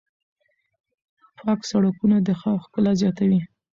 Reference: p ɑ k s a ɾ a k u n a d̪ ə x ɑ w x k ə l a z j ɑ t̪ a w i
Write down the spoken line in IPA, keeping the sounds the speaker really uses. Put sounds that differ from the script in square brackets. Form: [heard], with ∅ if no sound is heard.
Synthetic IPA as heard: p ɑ k s a [ɽ] a k u n a d̪ ə x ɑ w x k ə l a z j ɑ t̪ a w i